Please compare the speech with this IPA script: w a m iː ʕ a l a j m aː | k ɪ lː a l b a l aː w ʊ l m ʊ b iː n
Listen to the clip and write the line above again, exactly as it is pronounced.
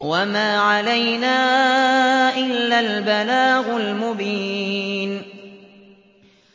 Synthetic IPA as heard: w a m aː ʕ a l a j n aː | ʔ ɪ lː a l b a l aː ɣ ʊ l m ʊ b iː n